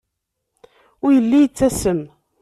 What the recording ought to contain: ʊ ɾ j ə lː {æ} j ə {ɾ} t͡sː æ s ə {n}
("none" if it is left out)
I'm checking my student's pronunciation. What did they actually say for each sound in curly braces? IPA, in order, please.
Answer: i, none, m

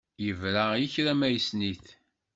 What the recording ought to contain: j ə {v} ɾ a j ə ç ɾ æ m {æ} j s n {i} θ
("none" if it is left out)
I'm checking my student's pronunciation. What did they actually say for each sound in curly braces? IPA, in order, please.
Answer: v, æ, i

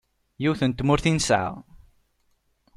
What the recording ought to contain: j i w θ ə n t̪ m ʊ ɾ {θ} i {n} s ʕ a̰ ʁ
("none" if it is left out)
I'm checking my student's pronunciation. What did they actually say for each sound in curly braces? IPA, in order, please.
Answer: θ, n

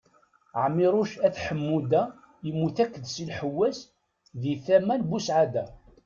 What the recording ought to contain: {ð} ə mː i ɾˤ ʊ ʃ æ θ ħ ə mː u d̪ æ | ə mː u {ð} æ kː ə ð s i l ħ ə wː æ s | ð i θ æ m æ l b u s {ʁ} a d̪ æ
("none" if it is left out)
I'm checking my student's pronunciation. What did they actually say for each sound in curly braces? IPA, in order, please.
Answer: ʕ, θ, ʕ

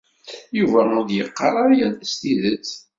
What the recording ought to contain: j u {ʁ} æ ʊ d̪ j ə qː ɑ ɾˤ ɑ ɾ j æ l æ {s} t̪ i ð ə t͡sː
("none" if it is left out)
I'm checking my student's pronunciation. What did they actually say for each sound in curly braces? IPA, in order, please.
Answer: v, s

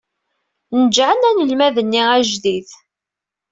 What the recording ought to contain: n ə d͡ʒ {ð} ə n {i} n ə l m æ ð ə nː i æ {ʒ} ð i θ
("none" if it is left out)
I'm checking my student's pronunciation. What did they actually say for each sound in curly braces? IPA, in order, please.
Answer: ʕ, æ, ʒ

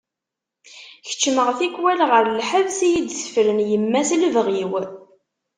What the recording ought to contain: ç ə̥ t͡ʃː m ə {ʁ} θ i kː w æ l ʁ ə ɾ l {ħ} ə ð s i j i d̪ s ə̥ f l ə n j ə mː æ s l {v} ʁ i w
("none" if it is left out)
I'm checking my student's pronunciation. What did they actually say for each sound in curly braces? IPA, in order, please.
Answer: ʁ, ħ, v

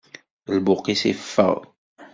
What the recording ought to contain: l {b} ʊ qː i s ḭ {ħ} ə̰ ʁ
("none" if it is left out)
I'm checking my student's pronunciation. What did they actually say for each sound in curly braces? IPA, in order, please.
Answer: b, f

